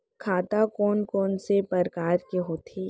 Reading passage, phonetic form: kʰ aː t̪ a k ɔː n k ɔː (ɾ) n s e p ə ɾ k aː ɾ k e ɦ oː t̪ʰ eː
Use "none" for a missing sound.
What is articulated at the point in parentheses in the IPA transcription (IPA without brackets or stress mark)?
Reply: none